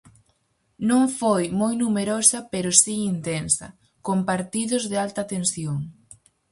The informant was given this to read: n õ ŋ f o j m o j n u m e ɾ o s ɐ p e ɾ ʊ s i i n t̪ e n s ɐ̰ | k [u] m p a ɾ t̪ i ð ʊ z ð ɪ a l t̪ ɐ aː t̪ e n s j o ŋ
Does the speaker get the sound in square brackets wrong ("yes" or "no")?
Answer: yes